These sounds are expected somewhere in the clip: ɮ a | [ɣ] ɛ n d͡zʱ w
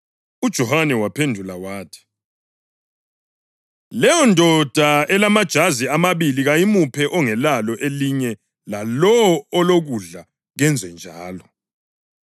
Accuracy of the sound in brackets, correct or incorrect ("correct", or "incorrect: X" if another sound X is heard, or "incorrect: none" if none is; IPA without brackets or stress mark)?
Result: correct